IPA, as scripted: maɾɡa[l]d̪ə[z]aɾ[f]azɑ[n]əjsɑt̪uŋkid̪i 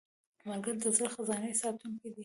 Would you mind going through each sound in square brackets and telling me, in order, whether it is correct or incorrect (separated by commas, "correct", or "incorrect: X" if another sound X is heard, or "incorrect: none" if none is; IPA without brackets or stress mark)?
incorrect: ɾ, correct, incorrect: x, correct